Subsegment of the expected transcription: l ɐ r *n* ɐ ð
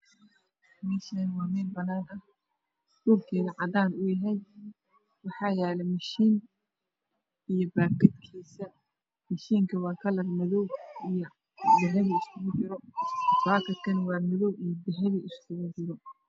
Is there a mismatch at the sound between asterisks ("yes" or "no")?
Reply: yes